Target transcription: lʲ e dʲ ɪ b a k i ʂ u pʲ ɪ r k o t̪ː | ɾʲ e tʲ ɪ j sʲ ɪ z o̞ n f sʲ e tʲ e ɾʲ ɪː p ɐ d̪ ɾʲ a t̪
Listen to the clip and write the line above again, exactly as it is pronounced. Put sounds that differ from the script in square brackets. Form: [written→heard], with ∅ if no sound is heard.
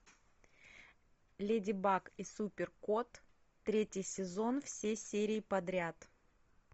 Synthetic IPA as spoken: lʲ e dʲ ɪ b a k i [ʂ→s] u pʲ ɪ r k o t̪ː | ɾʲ e tʲ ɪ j sʲ ɪ z o̞ n f sʲ e [tʲ→sʲ] e ɾʲ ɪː p ɐ d̪ ɾʲ a t̪